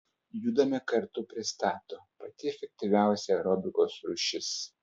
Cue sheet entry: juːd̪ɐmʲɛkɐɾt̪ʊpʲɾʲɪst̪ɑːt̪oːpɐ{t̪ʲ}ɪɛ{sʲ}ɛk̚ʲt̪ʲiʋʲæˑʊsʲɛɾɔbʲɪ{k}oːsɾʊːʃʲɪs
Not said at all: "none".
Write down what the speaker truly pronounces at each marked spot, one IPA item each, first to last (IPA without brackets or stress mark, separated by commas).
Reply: t̪ʲ, fʲ, k